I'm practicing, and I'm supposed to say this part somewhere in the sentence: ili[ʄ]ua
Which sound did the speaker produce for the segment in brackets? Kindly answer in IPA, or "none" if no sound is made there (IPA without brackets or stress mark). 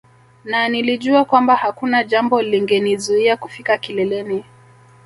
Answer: ʄ